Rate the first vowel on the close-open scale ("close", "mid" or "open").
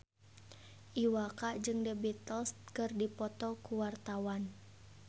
close